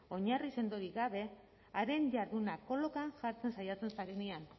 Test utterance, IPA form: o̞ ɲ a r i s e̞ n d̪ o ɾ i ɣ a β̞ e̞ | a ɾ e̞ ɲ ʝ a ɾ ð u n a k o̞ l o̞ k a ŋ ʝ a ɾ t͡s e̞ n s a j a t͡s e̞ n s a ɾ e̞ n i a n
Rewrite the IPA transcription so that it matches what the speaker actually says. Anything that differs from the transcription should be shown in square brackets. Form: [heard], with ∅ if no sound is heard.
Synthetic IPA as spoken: o̞ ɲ a r i s e̞ n d̪ o ɾ i ɣ a β̞ e̞ | a ɾ e̞ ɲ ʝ a ɾ ð u n a k o̞ l o̞ k a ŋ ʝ a ɾ t͡s e̞ n s a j a t͡s e̞ n s a ɾ e̞ n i a n